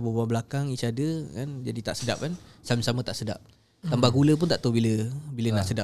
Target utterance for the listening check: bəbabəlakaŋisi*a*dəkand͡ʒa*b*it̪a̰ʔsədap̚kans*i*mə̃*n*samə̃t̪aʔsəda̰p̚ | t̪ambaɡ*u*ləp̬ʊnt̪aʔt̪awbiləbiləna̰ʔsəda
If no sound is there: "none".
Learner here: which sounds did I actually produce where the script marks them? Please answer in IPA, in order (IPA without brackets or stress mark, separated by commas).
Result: a, d, a, none, u